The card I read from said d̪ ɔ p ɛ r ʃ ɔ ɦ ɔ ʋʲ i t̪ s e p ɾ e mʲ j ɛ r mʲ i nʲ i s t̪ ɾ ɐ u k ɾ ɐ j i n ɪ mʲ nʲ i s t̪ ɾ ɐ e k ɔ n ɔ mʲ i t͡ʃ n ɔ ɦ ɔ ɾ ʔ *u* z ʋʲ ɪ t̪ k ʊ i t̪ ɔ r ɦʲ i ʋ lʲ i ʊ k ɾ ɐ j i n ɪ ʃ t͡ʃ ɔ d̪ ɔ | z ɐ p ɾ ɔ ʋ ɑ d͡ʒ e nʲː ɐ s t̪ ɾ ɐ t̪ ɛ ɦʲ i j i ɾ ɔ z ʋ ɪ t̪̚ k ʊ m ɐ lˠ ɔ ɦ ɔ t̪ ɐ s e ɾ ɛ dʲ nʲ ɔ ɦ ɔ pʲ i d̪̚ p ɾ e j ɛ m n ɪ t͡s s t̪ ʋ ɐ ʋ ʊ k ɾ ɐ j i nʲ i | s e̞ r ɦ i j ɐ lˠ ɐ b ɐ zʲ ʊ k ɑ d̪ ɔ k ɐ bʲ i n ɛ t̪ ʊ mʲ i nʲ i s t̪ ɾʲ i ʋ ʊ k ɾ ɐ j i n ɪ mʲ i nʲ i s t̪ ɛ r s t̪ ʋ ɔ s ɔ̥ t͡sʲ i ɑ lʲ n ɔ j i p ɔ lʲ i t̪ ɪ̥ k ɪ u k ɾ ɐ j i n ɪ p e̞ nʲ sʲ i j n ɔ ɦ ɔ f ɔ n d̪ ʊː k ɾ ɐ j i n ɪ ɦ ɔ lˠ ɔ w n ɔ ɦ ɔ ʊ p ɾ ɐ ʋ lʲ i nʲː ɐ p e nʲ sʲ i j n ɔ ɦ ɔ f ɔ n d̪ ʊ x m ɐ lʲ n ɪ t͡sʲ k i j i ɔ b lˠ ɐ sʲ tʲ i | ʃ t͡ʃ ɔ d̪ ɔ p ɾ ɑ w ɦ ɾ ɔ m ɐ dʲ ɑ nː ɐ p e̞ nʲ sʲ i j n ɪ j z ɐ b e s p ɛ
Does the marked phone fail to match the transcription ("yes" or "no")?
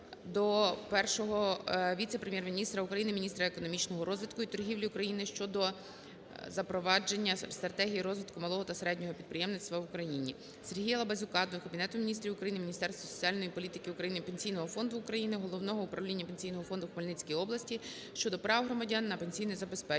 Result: yes